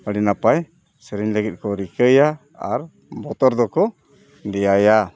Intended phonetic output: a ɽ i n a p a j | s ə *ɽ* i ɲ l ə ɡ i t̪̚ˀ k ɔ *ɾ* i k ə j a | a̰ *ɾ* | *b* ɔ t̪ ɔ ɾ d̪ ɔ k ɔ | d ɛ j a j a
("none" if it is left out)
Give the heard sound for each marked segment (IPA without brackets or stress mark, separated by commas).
ɾ, ɾ, ɾ, b